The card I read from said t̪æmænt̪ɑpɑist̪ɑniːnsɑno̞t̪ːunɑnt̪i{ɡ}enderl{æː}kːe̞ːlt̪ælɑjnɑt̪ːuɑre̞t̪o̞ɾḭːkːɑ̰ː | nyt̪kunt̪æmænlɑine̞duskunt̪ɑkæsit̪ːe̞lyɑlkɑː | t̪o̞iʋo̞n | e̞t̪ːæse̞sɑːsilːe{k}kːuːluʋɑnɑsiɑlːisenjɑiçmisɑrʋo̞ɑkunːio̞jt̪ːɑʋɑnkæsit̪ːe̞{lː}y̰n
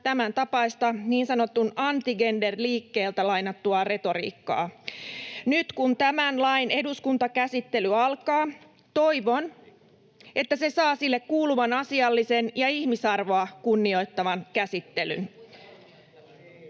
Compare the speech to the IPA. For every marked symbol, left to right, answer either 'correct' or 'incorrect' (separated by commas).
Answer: correct, incorrect, correct, incorrect